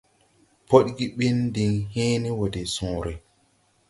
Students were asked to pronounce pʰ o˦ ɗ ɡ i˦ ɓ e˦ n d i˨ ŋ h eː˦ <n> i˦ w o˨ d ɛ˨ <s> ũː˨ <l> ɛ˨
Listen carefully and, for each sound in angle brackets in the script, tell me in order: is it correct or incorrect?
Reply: correct, correct, incorrect: ɾ

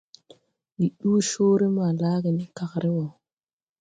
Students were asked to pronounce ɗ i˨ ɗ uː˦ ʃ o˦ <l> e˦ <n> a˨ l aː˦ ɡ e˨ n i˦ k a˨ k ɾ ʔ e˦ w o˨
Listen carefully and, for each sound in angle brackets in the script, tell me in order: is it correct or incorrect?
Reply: incorrect: ɾ, incorrect: m

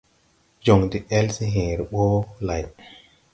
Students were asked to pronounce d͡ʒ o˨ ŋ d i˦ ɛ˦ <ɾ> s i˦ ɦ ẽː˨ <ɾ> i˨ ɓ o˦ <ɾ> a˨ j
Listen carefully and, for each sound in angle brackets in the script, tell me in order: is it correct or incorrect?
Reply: incorrect: l, correct, incorrect: l

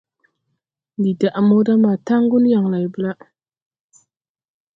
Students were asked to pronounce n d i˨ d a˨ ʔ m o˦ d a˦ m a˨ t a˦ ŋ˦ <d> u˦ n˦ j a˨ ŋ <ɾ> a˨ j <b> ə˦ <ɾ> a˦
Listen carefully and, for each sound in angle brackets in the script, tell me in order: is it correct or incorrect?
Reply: incorrect: ɡ, incorrect: l, correct, incorrect: l

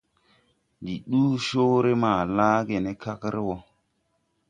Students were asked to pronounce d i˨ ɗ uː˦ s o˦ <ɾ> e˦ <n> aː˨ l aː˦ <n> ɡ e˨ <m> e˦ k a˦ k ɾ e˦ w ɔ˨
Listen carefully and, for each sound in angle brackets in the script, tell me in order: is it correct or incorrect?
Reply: correct, incorrect: m, incorrect: none, incorrect: n

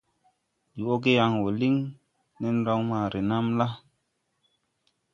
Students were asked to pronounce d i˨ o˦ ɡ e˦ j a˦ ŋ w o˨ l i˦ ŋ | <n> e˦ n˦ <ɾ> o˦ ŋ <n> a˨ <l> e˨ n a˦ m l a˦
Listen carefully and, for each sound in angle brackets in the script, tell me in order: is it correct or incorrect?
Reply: correct, correct, incorrect: m, incorrect: ɾ

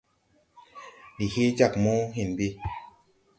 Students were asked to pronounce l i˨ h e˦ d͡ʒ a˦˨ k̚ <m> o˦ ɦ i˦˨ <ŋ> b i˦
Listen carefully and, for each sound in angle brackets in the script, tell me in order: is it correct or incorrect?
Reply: correct, incorrect: n

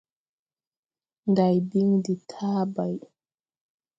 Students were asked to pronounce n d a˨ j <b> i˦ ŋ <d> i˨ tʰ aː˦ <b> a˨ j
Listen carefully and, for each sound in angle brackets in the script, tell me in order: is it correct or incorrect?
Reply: correct, correct, correct

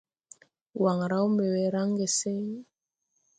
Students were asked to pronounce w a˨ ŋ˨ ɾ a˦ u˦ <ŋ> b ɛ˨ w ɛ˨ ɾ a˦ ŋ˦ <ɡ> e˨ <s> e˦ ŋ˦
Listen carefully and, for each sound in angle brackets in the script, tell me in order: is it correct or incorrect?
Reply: incorrect: m, correct, correct

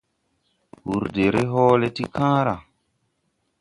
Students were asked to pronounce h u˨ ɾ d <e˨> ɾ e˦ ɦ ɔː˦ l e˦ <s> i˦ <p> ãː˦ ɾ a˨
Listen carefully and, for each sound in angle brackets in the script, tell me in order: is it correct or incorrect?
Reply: correct, incorrect: t, incorrect: k

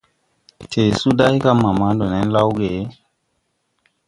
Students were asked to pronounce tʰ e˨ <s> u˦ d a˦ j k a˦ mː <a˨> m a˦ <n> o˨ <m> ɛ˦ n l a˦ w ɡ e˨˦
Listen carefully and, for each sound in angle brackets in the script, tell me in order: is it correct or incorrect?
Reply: correct, correct, incorrect: d, incorrect: n

